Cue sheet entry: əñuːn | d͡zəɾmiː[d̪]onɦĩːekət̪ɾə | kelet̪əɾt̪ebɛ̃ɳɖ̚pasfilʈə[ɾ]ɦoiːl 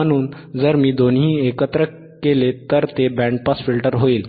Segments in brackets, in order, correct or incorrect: correct, correct

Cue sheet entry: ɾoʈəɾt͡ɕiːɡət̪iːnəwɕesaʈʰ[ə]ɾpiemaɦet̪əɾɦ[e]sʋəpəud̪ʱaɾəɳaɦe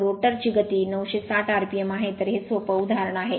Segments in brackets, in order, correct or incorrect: incorrect, correct

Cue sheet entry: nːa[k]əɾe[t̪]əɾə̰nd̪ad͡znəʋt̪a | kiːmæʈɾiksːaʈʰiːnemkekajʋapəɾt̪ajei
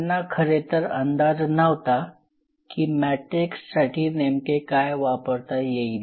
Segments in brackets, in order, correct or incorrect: incorrect, correct

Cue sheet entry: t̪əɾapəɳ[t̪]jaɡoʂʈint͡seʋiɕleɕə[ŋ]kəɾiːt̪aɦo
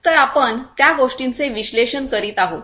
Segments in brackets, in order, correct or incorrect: correct, incorrect

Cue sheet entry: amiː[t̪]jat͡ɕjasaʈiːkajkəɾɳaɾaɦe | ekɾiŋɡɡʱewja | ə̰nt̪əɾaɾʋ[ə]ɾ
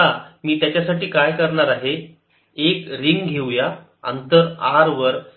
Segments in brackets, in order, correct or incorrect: correct, correct

